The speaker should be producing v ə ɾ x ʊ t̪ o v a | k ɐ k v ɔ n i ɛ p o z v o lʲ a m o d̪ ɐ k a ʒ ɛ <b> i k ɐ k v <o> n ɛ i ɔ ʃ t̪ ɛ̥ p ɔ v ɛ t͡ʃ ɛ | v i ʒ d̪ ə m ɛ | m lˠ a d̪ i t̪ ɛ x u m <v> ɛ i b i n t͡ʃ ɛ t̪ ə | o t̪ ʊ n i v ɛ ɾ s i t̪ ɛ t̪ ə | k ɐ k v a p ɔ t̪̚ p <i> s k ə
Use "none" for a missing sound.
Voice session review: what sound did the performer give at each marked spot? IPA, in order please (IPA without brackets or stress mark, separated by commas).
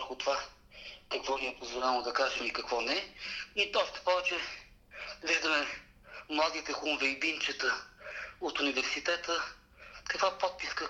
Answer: m, ɔ, v, i